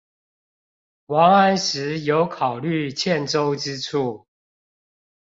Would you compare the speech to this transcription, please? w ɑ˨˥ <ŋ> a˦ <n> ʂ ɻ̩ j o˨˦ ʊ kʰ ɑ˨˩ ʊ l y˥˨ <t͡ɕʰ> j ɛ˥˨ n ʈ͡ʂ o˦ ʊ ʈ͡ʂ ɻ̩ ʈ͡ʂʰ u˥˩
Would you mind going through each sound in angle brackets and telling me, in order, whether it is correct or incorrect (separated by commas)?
correct, correct, correct